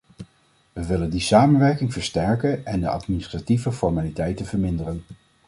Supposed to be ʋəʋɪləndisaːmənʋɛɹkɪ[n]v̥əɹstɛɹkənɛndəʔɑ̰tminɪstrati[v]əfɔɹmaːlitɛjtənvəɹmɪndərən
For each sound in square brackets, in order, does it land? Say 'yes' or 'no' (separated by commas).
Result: no, yes